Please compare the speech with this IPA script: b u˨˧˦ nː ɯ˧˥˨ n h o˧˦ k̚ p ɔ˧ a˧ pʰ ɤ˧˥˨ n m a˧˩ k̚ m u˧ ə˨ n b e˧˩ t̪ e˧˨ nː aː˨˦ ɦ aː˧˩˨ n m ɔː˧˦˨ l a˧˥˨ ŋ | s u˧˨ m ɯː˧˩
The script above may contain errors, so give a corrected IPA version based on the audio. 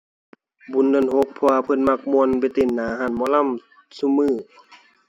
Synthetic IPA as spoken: b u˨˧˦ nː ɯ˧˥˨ n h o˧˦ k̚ pʰ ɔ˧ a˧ pʰ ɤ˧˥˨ n m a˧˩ k̚ m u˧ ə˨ n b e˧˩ t̪ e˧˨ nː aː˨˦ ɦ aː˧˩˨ n m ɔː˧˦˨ l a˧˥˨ m | s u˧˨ m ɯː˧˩